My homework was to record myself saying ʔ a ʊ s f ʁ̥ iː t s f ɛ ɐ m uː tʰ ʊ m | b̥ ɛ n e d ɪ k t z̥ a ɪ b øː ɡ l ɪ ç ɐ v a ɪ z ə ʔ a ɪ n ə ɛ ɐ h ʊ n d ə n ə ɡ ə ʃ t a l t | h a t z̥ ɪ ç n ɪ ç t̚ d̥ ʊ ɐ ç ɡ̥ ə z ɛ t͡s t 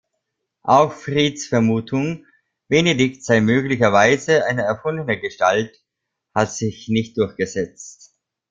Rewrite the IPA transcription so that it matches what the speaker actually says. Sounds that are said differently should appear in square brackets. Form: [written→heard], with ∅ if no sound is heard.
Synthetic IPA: ʔ a ʊ [s→x] f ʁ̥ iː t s f ɛ ɐ m uː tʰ ʊ [m→ŋ] | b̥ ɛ n e d ɪ k t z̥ a ɪ [b→m] øː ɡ l ɪ ç ɐ v a ɪ z ə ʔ a ɪ n ə ɛ ɐ [h→f] ʊ n d ə n ə ɡ ə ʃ t a l t | h a t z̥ ɪ ç n ɪ ç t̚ d̥ ʊ ɐ ç ɡ̥ ə z ɛ t͡s t

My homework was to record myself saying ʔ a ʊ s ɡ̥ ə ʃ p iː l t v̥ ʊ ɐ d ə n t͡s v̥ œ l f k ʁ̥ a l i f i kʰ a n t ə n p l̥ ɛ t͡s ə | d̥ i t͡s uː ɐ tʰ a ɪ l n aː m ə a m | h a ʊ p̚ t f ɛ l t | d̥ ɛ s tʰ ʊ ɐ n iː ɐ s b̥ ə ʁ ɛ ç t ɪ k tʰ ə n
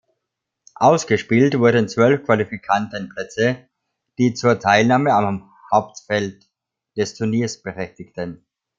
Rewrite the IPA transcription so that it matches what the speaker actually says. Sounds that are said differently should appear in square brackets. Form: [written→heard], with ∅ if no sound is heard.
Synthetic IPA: ʔ a ʊ s ɡ̥ ə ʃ p iː l t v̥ ʊ ɐ d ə n t͡s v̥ œ l f k [ʁ̥→v̥] a l i f i kʰ a n t ə n p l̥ ɛ t͡s ə | d̥ [i→iː] t͡s uː ɐ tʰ a ɪ l n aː m ə a m | h a ʊ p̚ t f ɛ l t | d̥ ɛ s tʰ ʊ ɐ n iː ɐ s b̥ ə ʁ ɛ ç t ɪ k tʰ ə n

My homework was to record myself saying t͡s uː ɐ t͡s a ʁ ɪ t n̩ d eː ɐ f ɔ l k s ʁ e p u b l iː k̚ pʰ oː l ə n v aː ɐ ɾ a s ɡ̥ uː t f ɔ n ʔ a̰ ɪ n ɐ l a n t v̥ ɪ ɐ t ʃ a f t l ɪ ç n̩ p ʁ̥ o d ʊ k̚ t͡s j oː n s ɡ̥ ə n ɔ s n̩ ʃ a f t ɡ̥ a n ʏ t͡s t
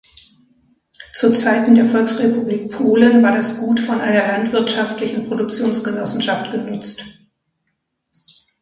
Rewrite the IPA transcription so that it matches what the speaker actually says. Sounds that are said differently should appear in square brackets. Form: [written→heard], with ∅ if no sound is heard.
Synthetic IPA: t͡s uː ɐ t͡s a [ʁ→∅] ɪ t n̩ d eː ɐ f ɔ l k s ʁ e p u b l iː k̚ pʰ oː l ə n v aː ɐ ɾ a s ɡ̥ uː t f ɔ n ʔ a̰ ɪ n ɐ l a n t v̥ ɪ ɐ t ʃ a f t l ɪ ç n̩ p ʁ̥ o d ʊ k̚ t͡s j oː n s ɡ̥ ə n ɔ s n̩ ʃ a f t ɡ̥ [a→ə] n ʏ t͡s t

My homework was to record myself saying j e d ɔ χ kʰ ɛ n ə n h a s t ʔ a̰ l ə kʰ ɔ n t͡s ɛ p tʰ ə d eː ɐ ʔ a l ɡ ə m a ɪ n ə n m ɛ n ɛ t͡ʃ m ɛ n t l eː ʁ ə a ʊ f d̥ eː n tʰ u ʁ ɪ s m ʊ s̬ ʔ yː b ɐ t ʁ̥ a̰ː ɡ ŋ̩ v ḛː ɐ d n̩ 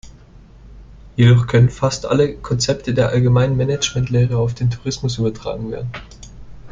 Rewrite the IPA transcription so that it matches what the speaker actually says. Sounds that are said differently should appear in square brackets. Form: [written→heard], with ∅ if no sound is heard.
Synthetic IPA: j e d ɔ χ kʰ [ɛ→œ] n ə n [h→f] a s t ʔ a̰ l ə kʰ ɔ n t͡s ɛ p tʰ ə d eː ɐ ʔ a l ɡ ə m a ɪ n ə n m ɛ n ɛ t͡ʃ m ɛ n t l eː ʁ ə a ʊ f d̥ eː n tʰ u ʁ ɪ s m ʊ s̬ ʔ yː b ɐ t ʁ̥ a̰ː ɡ ŋ̩ v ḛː ɐ d n̩

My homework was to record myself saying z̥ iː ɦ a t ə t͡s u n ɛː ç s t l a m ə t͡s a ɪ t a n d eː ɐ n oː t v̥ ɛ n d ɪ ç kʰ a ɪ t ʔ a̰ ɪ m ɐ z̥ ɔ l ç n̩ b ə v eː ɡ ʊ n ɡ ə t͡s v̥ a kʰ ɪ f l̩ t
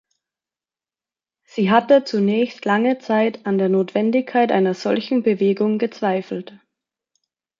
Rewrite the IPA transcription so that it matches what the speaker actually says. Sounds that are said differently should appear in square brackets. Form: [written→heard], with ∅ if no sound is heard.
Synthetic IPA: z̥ iː ɦ a t ə t͡s u n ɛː ç s t l a [m→ŋ] ə t͡s a ɪ t a n d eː ɐ n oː t v̥ ɛ n d ɪ ç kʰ a ɪ t ʔ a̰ ɪ [m→n] ɐ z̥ ɔ l ç n̩ b ə v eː ɡ ʊ [n→ŋ] ɡ ə t͡s v̥ a [kʰ→∅] ɪ f l̩ t

